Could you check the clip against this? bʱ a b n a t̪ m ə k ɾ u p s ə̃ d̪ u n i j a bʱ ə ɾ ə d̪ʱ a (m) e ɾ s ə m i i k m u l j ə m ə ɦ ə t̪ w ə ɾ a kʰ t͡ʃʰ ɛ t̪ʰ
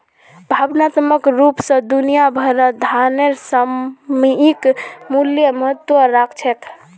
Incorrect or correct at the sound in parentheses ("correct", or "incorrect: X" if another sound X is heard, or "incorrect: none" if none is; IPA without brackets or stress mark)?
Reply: incorrect: n